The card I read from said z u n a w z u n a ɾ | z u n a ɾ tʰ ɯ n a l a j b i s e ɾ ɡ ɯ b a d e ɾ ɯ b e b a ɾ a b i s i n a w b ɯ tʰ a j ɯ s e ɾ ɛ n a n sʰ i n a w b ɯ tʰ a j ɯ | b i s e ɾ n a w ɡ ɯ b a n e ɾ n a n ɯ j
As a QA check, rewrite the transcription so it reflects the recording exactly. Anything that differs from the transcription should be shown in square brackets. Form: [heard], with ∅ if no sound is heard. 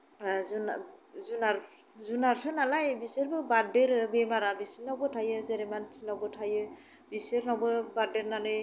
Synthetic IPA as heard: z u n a [∅] z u n a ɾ | z u n a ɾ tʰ ɯ n a l a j b i s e ɾ [b] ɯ b a d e ɾ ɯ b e [m] a ɾ a b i s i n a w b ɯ tʰ a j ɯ [z] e ɾ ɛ [m] a n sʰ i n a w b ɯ tʰ a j ɯ | b i s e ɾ n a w [b] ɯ b a [d] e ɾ n a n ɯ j